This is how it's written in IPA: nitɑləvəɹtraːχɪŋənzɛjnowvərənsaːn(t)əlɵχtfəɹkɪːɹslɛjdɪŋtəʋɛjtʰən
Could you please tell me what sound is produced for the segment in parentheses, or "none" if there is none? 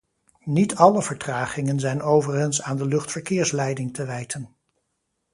d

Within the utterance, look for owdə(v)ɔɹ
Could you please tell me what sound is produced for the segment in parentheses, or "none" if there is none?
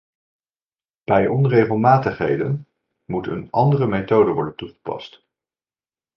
ʋ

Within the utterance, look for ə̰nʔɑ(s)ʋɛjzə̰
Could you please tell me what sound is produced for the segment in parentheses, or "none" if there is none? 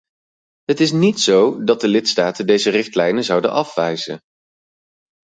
f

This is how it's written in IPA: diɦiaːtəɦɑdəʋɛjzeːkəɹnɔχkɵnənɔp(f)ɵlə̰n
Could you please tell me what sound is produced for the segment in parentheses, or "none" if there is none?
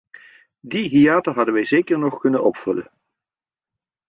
f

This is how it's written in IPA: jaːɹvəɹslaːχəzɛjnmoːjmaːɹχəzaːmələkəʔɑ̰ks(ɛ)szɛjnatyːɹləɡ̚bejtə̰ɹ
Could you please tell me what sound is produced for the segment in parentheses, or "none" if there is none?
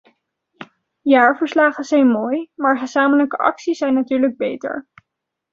i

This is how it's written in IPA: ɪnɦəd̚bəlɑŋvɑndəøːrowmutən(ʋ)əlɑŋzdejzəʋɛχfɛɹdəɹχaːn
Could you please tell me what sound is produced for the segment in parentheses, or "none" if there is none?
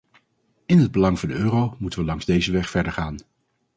ʋ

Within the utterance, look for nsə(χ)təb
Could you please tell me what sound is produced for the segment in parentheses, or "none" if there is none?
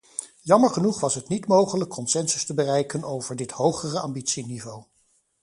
s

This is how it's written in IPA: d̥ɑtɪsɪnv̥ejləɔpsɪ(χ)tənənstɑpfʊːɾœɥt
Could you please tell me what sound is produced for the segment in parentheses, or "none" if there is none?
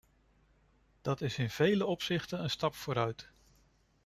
χ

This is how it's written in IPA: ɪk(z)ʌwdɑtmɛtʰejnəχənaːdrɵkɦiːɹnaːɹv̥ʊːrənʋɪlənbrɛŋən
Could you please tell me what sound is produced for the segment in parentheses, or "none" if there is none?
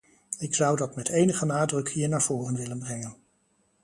s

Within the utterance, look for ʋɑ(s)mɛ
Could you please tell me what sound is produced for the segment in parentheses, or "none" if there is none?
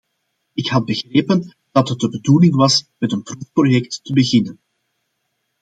s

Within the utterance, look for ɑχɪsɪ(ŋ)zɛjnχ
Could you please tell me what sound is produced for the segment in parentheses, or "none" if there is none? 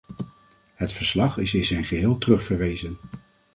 n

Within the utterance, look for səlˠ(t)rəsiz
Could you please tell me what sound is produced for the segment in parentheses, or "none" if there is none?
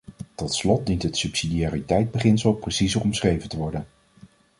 p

